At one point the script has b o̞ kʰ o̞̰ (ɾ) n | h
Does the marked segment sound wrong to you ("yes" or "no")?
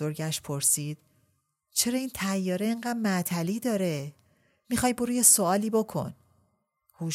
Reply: yes